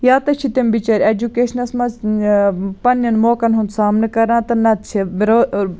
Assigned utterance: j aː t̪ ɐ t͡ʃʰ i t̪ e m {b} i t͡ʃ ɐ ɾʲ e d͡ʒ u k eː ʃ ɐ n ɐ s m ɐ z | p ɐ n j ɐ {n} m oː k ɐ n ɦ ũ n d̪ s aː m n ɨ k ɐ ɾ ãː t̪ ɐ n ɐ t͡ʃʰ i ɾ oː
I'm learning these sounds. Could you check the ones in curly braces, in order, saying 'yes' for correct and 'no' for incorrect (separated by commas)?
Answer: yes, yes